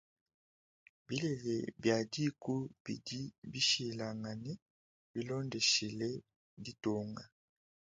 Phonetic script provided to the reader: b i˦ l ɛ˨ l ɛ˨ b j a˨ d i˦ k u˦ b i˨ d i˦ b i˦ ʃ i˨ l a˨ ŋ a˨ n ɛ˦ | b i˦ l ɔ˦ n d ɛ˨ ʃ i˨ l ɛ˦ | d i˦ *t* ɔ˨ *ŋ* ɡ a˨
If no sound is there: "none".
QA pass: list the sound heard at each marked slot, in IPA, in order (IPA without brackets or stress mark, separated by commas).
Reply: t, ŋ